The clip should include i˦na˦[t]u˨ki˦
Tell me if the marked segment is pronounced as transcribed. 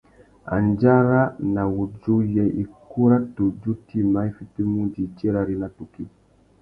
yes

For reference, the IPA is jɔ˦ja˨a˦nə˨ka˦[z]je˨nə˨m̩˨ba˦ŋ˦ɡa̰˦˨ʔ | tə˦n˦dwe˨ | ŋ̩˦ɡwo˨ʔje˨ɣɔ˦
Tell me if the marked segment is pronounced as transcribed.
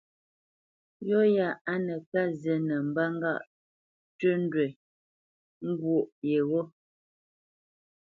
yes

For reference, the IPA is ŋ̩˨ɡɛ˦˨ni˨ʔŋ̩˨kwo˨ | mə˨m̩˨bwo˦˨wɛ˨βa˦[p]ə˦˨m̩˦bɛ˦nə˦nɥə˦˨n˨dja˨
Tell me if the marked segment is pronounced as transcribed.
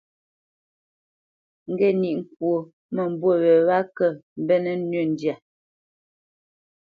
no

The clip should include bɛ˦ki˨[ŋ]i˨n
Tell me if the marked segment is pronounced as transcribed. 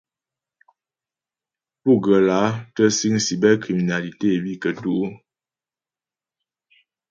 no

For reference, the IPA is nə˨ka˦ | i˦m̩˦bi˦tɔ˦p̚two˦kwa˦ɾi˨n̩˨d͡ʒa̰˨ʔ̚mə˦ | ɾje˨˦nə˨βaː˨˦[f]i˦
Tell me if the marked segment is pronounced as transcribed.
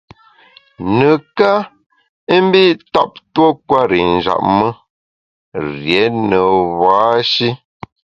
no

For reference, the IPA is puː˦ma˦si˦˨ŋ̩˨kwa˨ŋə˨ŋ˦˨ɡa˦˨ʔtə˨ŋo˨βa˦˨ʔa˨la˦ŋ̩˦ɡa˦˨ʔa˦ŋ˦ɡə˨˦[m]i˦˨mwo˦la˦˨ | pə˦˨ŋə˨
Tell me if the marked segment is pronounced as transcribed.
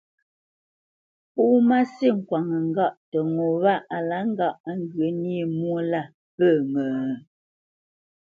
no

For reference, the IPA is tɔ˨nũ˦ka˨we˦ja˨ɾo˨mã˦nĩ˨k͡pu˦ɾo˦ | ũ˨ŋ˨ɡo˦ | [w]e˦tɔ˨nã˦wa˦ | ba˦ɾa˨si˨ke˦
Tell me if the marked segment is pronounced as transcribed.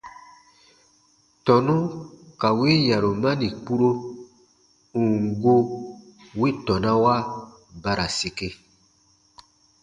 yes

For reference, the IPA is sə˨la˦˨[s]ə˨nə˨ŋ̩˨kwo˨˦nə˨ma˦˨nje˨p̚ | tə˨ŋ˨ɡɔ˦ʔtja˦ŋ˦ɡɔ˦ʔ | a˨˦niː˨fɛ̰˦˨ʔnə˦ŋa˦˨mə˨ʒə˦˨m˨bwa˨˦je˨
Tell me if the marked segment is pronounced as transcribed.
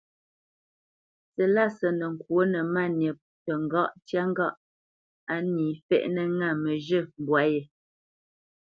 yes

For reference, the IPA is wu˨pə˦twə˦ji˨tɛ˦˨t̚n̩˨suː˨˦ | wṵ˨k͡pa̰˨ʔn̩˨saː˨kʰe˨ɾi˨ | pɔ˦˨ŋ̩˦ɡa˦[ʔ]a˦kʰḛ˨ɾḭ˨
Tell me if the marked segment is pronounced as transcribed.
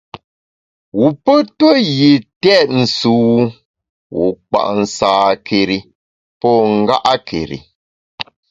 yes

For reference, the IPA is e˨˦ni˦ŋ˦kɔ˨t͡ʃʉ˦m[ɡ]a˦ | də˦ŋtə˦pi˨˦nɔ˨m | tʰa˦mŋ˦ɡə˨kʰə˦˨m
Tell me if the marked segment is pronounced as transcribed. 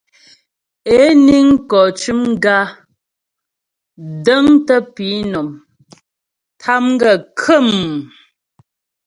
yes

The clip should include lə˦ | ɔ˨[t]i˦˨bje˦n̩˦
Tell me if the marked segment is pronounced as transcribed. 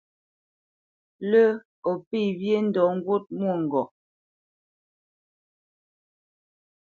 no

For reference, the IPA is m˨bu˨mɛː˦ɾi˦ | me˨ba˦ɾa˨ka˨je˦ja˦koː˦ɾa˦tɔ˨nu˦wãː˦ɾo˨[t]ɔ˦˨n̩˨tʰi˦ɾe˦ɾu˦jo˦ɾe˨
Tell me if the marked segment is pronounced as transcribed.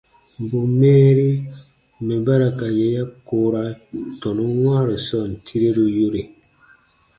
no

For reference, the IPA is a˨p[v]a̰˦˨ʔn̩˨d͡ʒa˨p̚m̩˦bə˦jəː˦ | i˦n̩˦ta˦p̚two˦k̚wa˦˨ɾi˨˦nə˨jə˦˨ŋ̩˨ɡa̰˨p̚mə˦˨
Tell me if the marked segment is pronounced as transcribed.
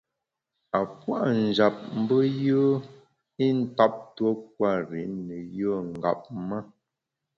no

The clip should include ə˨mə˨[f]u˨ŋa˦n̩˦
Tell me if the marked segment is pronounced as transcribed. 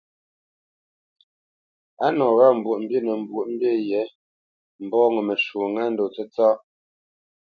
no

